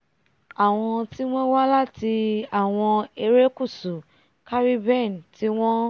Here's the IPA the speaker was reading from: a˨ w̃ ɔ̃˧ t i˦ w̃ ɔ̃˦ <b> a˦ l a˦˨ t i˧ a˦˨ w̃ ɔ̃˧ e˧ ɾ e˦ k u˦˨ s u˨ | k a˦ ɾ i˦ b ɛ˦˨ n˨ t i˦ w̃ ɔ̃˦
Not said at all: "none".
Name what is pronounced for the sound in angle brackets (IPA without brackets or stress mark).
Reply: w